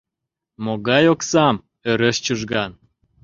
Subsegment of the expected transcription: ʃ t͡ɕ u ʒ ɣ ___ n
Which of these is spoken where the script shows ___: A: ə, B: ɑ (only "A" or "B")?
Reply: B